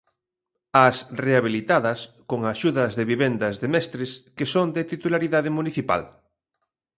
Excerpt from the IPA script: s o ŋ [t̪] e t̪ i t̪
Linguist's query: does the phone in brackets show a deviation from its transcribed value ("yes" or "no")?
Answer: yes